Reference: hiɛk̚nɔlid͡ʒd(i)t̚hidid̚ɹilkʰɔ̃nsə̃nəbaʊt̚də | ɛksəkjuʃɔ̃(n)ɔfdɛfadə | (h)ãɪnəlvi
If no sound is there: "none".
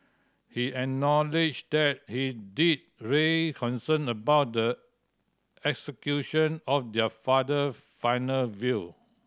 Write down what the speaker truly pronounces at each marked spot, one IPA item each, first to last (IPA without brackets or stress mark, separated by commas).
ɛ, n, f